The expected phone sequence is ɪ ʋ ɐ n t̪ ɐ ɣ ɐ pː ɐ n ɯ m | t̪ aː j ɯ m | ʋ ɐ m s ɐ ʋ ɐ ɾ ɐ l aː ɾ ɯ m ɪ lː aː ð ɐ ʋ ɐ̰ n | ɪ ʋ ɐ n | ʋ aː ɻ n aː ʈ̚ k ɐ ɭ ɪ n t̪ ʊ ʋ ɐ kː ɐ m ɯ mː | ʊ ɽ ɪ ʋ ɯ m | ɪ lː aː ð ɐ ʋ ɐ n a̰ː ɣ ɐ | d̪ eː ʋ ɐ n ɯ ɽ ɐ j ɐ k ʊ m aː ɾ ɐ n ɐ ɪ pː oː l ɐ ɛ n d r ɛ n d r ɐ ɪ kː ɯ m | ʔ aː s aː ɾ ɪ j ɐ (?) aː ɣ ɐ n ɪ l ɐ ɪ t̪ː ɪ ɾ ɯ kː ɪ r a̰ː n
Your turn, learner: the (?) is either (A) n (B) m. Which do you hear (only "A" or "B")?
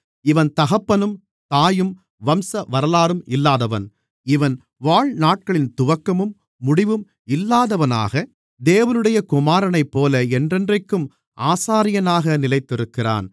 A